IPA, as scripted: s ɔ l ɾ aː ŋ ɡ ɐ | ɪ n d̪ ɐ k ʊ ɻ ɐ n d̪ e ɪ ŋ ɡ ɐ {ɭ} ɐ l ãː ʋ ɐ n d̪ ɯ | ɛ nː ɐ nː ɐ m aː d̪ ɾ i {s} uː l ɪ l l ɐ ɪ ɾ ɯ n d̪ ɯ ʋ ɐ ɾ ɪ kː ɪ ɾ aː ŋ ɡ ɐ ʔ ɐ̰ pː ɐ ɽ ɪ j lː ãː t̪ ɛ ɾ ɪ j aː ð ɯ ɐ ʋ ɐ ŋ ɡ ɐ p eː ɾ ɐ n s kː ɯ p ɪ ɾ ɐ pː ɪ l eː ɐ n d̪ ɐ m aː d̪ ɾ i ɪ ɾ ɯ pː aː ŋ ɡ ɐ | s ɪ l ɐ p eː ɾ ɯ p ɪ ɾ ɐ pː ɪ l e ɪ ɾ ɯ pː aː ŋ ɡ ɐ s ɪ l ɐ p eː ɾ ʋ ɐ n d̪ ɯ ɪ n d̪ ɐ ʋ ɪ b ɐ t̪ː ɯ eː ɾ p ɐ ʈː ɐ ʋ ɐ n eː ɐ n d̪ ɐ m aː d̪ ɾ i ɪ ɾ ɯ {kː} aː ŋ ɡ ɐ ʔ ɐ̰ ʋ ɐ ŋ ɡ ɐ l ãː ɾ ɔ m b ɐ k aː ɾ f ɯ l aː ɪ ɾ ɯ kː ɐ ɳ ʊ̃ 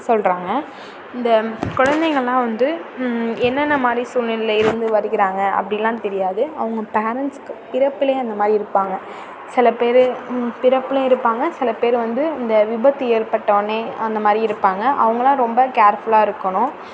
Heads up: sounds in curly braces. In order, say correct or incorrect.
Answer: correct, correct, incorrect

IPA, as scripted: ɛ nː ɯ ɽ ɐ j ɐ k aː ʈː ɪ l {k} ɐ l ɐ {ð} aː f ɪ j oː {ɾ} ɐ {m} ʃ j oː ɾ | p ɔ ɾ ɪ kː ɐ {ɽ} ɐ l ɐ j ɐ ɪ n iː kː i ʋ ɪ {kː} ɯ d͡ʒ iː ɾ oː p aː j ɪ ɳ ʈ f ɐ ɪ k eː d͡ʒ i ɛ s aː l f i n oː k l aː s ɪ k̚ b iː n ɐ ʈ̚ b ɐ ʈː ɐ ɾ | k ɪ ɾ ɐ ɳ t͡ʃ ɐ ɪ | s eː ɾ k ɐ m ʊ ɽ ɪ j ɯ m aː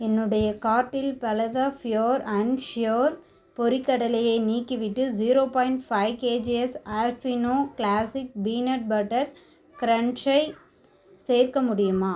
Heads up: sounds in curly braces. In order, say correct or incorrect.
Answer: incorrect, correct, correct, incorrect, correct, incorrect

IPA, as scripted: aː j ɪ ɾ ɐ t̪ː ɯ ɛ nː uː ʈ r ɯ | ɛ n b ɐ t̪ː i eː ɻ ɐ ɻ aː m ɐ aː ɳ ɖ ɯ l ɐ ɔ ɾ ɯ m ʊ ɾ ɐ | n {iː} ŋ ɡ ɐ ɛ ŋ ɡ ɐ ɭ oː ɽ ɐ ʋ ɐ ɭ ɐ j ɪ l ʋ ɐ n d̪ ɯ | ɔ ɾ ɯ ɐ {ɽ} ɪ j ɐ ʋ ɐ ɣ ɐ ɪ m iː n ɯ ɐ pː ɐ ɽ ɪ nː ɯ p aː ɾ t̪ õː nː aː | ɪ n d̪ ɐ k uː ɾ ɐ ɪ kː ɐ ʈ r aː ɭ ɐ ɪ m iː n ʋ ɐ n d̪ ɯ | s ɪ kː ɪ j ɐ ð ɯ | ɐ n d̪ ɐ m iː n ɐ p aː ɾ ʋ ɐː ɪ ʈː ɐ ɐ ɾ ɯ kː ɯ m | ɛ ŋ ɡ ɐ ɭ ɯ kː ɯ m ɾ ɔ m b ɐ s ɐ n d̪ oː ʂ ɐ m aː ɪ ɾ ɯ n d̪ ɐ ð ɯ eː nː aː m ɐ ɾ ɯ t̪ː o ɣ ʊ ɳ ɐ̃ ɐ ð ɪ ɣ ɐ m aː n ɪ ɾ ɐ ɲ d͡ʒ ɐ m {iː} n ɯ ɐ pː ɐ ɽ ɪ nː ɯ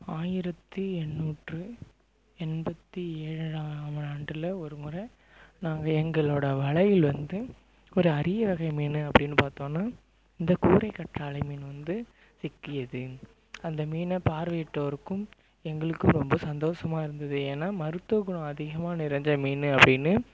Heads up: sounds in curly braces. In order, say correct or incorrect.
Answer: incorrect, incorrect, correct

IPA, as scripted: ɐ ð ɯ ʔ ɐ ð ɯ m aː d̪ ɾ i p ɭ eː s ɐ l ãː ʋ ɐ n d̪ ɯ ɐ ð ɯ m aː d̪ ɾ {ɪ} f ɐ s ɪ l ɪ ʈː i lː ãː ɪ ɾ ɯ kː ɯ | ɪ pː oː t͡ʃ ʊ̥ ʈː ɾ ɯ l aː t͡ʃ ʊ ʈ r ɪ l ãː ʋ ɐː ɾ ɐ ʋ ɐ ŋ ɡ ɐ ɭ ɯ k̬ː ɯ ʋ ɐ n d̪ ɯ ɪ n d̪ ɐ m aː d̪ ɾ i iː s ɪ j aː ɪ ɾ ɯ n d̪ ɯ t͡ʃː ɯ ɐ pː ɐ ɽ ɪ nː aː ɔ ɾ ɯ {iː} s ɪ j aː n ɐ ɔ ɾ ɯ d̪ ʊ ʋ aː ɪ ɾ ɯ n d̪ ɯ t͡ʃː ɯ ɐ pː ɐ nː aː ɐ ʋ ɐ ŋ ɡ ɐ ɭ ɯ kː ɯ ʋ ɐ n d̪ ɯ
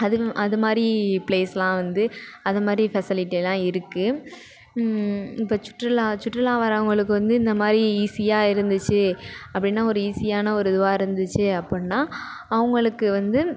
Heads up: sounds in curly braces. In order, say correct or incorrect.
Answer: incorrect, correct

